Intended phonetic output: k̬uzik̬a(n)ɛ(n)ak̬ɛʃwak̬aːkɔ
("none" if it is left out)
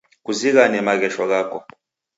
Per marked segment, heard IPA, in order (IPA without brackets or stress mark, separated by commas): n, m